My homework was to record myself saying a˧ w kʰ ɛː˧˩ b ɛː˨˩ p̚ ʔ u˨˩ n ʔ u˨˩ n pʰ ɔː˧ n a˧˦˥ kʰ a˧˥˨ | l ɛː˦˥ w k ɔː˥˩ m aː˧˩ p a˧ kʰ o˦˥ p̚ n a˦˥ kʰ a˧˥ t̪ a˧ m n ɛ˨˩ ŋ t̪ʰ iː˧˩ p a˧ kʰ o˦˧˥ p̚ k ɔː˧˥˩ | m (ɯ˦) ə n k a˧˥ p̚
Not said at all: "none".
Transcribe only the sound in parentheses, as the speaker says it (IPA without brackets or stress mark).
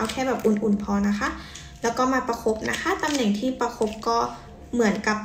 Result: ɯ˩˦